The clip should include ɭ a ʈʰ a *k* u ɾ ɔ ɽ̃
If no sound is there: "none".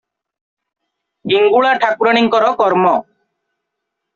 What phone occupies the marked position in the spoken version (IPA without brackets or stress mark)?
k